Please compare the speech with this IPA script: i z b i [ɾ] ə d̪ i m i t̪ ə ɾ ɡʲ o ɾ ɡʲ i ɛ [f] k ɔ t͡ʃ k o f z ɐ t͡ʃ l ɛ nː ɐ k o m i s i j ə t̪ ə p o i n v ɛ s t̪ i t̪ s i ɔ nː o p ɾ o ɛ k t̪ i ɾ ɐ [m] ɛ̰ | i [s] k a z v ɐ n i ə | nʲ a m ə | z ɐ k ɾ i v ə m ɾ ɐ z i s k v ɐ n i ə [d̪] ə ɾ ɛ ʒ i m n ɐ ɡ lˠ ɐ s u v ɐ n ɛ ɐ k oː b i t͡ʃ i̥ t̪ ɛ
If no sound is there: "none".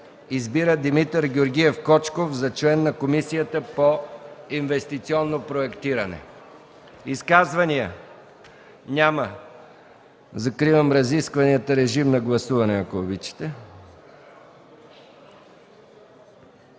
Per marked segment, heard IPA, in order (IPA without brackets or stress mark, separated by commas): ɾ, f, n, s, t̪